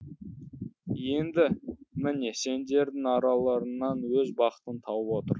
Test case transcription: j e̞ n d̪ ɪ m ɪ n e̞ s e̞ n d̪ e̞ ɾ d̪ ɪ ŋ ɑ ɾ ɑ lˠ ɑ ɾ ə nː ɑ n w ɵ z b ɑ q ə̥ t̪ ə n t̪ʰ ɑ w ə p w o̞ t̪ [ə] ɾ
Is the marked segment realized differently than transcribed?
no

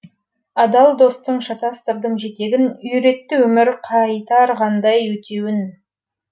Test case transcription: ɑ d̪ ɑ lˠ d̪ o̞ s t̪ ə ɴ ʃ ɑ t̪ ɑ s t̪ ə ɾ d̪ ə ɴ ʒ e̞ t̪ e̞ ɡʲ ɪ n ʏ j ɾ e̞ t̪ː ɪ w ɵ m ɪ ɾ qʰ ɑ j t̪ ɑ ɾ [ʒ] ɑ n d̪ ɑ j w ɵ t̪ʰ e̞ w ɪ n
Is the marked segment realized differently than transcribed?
yes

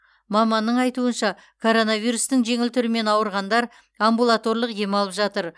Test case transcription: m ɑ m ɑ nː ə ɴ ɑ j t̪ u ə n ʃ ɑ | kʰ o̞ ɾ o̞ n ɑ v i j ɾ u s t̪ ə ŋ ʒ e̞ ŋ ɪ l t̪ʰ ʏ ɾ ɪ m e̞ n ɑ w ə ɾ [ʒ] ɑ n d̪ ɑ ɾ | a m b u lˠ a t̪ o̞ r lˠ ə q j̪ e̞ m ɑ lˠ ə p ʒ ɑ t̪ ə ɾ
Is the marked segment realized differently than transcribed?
yes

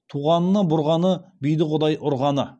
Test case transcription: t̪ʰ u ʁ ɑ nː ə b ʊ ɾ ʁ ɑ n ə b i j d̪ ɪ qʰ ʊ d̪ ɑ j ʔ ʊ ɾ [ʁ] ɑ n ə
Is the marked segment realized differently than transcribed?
no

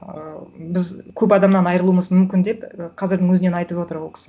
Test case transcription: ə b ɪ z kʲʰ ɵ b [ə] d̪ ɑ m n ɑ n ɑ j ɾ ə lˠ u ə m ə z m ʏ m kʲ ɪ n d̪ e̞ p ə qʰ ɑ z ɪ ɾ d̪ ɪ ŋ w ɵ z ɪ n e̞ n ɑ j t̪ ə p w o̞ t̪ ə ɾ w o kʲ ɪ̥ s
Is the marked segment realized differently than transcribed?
yes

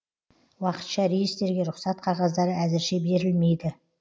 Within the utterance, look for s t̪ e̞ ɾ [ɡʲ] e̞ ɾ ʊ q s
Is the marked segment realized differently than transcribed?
no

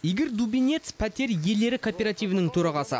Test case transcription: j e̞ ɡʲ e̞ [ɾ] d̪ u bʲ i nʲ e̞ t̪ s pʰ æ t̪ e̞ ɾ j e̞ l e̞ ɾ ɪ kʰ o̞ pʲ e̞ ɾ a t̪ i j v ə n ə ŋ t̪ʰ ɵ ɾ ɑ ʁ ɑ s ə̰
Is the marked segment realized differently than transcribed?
no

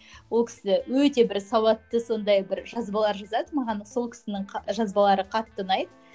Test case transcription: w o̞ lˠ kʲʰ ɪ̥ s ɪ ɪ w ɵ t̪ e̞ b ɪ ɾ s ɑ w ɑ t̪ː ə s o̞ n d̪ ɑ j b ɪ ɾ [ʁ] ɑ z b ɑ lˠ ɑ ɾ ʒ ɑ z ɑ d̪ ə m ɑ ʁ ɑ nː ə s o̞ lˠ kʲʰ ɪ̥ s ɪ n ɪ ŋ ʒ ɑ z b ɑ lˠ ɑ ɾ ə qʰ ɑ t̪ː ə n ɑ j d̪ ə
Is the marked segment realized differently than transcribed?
yes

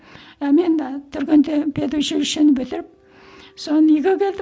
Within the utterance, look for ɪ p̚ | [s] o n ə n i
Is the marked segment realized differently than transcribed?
no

